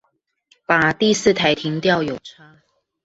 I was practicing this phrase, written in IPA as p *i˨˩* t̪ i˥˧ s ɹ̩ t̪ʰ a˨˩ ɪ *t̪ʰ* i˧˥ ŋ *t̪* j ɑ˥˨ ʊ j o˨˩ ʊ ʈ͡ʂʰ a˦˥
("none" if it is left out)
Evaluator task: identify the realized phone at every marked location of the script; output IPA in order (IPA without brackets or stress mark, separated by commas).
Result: a˨˩, t̪ʰ, t̪